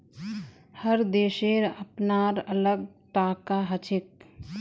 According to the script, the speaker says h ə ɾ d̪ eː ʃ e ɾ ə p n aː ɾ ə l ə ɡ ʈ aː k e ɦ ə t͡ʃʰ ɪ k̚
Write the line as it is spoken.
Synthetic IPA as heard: h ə ɾ d̪ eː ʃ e ɾ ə p n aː ɾ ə l ə ɡ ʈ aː k a ɦ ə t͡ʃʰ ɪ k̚